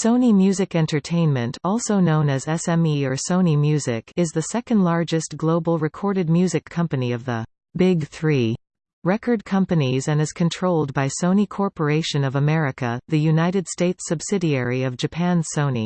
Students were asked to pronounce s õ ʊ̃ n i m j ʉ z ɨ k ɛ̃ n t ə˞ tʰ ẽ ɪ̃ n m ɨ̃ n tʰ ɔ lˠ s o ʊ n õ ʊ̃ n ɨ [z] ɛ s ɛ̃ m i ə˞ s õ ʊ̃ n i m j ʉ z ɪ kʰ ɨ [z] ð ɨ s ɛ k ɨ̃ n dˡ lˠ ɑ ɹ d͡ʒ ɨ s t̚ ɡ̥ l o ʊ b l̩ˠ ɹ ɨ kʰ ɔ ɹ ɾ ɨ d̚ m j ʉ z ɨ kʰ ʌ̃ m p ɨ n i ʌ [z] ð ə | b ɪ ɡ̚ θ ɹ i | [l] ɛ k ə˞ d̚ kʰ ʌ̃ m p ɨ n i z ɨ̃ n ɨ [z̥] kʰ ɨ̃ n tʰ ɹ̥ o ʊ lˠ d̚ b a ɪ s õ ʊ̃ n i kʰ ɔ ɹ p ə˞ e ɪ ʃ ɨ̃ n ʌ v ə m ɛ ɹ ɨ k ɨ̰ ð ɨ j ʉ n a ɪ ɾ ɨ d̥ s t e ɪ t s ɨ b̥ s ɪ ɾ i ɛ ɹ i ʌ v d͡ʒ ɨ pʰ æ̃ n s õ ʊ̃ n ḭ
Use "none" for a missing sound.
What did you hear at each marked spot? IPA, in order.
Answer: z, z, v, ɹ, z̥

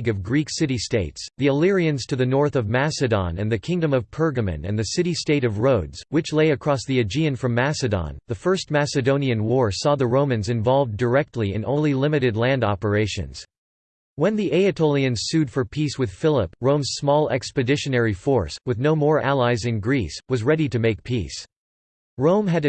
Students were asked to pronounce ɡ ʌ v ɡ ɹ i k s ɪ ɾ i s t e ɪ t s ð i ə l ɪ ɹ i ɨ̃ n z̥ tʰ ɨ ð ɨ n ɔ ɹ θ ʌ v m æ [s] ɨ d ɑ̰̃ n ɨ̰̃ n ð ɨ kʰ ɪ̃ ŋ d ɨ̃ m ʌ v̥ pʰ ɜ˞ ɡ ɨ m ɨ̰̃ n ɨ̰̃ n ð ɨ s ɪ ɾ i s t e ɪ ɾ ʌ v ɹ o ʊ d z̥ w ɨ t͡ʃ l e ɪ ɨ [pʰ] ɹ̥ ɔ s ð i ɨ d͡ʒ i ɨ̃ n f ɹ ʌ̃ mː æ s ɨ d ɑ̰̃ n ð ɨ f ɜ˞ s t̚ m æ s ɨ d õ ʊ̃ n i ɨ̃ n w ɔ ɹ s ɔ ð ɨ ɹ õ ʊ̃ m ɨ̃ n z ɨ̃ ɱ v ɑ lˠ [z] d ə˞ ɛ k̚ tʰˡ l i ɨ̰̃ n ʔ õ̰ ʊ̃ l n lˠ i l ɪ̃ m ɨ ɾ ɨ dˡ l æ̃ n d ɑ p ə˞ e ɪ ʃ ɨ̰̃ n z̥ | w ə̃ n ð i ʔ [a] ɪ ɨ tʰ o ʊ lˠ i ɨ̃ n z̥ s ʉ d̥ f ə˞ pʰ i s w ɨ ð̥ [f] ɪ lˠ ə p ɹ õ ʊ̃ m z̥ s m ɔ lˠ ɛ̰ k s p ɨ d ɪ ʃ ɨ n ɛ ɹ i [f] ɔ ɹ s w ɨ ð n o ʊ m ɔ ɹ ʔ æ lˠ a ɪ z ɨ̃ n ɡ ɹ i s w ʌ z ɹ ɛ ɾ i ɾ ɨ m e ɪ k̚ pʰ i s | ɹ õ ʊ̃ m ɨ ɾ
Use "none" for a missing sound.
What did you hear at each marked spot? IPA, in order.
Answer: s, kʰ, v, e, f, f

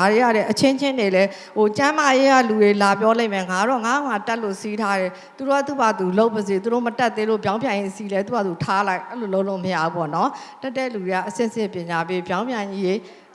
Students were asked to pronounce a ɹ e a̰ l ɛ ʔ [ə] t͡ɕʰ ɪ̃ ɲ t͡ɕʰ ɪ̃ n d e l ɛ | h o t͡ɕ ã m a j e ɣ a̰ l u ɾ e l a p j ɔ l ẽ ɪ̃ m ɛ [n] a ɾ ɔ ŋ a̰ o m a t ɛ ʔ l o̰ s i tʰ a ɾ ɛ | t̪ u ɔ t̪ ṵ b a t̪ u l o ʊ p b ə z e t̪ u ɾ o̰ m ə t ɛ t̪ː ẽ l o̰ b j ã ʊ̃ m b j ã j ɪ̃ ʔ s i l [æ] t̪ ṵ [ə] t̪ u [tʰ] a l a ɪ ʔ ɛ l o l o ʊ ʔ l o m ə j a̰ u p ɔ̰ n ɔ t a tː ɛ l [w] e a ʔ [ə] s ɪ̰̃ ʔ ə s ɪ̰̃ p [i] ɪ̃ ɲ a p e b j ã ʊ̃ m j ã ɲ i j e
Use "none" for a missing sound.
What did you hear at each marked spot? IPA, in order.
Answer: ə, ŋ, ɛ, a, tʰ, u, ə, j

